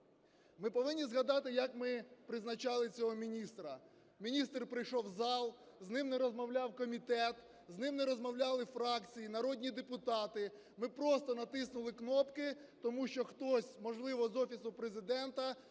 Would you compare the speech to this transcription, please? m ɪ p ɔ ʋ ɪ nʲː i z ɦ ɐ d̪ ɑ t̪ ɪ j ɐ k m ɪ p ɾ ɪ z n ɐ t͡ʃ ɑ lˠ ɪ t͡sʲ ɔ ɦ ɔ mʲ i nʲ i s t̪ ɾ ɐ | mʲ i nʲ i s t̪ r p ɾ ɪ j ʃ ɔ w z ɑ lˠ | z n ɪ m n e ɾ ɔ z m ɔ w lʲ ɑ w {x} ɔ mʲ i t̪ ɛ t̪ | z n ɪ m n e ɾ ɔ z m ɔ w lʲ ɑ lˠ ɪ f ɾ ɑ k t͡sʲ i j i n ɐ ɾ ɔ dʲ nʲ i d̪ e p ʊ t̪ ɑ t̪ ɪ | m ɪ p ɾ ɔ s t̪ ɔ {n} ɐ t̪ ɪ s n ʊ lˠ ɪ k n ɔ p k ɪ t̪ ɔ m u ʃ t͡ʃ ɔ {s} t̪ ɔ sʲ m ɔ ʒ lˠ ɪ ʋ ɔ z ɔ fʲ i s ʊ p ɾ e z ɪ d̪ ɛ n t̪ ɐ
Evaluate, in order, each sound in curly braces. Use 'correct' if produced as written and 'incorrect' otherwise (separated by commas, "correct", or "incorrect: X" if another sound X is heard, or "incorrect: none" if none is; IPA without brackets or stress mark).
incorrect: k, correct, incorrect: x